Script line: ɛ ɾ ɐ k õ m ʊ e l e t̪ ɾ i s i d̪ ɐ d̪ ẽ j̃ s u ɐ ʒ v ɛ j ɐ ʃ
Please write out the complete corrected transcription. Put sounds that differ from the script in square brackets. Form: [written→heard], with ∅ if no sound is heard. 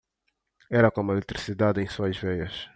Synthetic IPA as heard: ɛ ɾ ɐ k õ m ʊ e l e t̪ ɾ i s i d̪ [ɐ→a] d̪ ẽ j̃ s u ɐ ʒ v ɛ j ɐ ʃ